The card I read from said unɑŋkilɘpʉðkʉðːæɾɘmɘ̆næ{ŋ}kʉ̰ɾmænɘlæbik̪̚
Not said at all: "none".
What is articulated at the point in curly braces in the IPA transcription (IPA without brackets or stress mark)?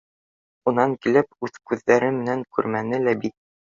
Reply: ŋ